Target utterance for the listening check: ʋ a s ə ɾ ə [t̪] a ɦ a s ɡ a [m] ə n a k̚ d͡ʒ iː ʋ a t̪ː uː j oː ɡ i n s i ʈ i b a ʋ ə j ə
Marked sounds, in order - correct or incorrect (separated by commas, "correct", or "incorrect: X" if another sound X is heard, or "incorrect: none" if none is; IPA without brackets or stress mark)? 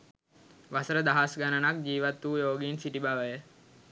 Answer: incorrect: d̪, incorrect: n